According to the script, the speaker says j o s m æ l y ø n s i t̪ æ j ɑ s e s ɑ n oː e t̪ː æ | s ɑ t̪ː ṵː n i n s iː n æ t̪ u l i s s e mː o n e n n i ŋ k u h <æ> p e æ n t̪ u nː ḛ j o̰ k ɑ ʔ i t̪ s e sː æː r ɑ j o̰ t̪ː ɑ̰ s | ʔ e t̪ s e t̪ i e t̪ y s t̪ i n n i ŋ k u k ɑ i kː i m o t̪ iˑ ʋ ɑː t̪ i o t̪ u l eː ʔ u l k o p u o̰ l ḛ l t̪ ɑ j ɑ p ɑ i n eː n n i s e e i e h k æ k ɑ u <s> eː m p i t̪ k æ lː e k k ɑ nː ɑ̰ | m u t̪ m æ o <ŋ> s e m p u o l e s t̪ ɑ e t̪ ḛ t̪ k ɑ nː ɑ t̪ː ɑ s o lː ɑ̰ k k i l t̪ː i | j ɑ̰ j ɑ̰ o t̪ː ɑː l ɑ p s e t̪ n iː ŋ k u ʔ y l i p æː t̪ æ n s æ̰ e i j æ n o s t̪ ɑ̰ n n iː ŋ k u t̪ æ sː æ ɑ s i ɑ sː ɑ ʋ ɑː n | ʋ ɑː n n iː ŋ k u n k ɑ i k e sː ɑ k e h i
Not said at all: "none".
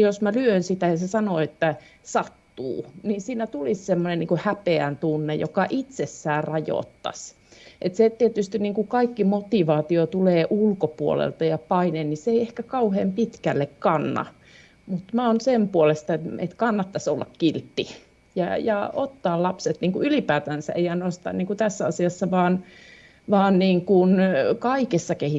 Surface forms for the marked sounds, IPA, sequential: æ, h, n

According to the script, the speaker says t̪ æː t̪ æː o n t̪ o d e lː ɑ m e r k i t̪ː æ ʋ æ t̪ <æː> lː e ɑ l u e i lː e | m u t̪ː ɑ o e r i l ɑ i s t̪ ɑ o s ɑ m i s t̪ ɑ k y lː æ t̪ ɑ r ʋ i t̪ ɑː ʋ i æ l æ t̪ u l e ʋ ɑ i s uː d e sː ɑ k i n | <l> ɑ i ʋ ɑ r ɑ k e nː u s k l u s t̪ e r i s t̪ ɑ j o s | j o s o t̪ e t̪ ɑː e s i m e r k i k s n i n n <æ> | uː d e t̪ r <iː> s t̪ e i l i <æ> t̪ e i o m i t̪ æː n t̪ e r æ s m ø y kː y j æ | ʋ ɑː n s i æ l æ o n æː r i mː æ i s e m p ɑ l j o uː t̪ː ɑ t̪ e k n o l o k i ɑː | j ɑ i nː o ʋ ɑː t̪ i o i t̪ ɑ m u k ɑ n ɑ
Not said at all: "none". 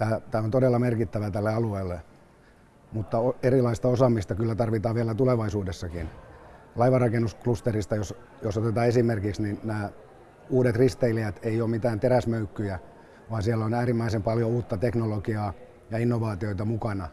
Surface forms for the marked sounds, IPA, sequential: æ, l, æː, i, æ

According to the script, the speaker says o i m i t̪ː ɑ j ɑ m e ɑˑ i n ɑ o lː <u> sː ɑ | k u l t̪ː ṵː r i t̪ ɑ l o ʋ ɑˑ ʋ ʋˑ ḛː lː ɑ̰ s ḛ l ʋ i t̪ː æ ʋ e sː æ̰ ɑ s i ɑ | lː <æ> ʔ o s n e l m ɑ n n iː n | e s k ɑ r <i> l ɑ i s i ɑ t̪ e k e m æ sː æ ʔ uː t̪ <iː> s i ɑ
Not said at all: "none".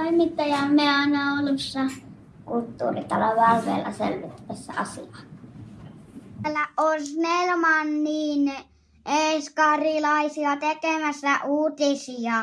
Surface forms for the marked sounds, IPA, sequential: u, æ, i, i

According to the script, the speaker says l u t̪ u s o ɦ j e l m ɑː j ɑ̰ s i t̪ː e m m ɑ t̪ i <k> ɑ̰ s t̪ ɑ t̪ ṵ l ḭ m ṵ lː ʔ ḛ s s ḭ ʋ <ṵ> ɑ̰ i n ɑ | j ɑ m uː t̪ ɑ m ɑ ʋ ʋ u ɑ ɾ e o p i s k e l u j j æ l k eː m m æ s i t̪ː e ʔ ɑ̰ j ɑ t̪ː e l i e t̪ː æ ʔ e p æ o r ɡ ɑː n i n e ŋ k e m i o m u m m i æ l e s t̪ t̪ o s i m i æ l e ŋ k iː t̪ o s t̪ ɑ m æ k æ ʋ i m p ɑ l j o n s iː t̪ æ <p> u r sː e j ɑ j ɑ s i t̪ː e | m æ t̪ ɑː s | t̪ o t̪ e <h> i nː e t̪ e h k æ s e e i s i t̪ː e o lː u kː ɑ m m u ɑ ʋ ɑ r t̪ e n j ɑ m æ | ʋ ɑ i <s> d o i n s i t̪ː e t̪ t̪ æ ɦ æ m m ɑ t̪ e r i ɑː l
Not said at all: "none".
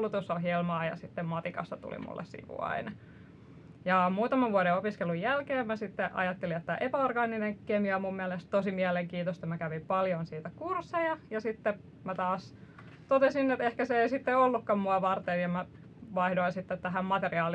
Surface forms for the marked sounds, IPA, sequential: k, ṵ, k, s, h

